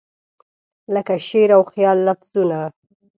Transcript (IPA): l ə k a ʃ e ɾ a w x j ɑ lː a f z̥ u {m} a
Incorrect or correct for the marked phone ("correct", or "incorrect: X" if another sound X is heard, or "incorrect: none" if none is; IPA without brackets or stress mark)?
incorrect: n